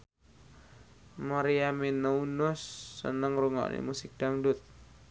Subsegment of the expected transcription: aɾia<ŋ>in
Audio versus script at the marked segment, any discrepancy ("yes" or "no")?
yes